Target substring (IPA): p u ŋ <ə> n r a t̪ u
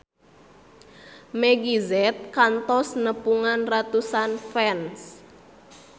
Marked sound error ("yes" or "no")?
yes